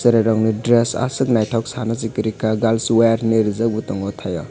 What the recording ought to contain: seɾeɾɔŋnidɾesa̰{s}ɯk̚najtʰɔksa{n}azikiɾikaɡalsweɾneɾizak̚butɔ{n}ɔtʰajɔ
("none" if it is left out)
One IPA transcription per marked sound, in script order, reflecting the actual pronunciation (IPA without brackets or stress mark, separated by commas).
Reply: s, n, ŋ